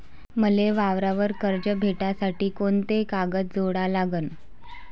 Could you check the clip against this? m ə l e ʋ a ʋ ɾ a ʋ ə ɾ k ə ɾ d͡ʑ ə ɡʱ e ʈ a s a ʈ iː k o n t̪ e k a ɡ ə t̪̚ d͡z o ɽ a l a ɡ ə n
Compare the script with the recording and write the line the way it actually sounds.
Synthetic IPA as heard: m ə l e ʋ a ʋ ɾ a ʋ ə ɾ k ə ɾ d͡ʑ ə bʱ e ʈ a s a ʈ iː k o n t̪ e k a ɡ ə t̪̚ d͡z o ɽ a l a ɡ ə n